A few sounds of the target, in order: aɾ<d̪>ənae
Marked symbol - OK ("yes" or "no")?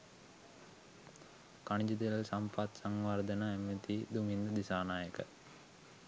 yes